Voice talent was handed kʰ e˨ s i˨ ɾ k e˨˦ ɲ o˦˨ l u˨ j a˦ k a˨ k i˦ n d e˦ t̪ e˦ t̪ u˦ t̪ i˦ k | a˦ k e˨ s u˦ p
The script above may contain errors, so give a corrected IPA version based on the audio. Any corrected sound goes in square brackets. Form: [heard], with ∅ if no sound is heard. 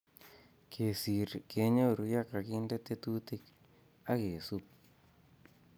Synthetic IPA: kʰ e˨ s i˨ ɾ k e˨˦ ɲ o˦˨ [ɾ] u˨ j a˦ k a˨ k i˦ n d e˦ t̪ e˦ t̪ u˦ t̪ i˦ k | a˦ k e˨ s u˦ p